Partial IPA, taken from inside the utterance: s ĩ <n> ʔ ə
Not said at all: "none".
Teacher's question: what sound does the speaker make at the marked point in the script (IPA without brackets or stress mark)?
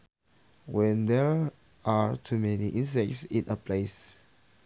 n